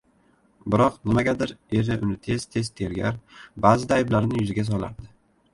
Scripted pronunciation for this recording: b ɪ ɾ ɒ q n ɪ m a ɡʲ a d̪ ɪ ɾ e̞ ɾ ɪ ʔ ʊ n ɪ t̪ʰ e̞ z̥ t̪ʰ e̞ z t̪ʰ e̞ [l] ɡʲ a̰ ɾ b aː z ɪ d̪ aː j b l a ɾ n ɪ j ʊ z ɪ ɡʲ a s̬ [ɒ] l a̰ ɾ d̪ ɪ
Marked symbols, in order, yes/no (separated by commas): no, yes